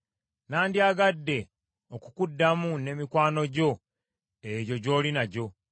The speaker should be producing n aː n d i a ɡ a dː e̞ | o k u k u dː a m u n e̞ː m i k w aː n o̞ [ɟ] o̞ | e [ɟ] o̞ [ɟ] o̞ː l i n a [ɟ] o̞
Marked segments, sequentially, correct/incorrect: correct, correct, correct, correct

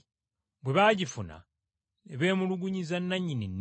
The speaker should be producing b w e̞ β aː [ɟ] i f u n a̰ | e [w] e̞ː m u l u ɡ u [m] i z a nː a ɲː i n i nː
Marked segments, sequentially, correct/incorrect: correct, incorrect, incorrect

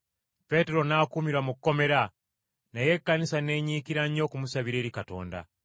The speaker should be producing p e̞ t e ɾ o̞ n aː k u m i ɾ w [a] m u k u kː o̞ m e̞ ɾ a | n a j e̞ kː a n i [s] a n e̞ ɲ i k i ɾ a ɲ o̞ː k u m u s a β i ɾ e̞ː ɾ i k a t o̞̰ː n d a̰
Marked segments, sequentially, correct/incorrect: correct, correct

